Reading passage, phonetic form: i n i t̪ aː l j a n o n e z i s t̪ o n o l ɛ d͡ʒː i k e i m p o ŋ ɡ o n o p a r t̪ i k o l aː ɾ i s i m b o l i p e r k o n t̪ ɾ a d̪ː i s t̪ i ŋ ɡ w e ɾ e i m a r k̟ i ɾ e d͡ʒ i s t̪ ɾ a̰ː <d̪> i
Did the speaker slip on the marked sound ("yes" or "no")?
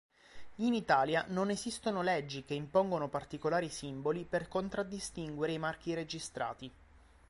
yes